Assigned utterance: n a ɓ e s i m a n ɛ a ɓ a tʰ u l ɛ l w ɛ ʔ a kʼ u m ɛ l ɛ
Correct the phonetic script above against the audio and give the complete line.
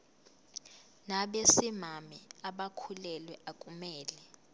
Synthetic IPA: n a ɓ e s i m a m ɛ a ɓ a kʰ u l ɛ l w ɛ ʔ a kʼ u m ɛː l ɛ